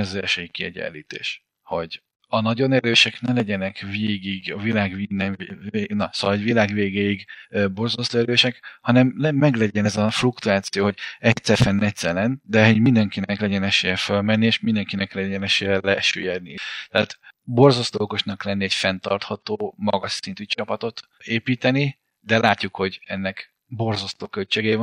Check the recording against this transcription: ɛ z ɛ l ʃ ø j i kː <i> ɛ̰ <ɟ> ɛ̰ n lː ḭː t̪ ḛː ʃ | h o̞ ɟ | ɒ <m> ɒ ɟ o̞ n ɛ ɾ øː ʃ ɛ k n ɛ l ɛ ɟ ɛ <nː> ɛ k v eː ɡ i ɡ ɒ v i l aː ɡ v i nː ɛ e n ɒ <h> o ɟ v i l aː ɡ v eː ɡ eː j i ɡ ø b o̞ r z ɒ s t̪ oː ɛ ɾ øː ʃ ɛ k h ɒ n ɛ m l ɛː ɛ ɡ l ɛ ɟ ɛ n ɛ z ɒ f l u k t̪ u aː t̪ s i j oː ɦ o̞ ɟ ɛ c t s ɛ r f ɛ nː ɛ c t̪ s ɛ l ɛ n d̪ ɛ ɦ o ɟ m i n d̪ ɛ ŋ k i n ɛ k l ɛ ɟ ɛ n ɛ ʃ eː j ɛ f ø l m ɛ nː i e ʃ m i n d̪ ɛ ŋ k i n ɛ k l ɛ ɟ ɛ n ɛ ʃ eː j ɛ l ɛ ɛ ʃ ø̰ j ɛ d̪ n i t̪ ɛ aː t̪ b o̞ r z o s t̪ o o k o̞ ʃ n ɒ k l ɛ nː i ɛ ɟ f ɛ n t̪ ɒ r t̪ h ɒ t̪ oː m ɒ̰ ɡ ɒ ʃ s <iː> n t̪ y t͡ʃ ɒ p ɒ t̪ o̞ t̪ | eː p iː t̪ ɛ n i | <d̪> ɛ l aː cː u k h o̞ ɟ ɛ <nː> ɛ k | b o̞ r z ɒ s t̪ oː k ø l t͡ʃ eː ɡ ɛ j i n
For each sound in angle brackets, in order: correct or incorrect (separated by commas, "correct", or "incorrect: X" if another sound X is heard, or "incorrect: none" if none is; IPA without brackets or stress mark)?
correct, correct, incorrect: n, incorrect: n, incorrect: s, incorrect: i, correct, correct